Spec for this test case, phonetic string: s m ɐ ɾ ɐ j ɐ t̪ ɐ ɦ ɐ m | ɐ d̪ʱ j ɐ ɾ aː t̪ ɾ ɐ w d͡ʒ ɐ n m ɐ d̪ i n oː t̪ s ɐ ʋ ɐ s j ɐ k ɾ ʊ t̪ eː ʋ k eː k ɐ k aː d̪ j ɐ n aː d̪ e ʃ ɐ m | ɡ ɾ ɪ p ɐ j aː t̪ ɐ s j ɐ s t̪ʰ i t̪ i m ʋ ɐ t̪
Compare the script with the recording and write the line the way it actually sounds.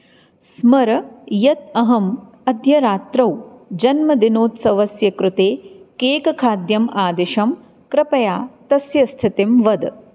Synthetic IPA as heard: s m ɐ ɾ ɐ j ɐ t̪ ɐ ɦ ɐ m | ɐ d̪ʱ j ɐ ɾ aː t̪ ɾ ɐ w d͡ʒ ɐ n m ɐ d̪ i n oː t̪ s ɐ ʋ ɐ s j ɐ k ɾ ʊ t̪ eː k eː k ɐ kʰ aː d̪ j ɐ m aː d̪ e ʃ ɐ m | k ɾ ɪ p ɐ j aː t̪ ɐ s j ɐ s t̪ʰ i t̪ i m ʋ ɐ d̪